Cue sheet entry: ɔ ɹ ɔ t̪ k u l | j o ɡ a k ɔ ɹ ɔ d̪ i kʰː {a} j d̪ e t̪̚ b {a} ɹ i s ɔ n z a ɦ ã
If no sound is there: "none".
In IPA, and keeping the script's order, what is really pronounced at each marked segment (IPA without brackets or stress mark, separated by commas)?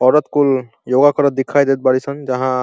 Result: a, a